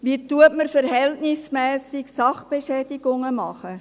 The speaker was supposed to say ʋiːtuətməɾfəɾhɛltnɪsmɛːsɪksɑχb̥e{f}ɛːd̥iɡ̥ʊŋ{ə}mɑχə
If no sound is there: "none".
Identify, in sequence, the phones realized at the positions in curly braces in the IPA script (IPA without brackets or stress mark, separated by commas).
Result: ʃ, ə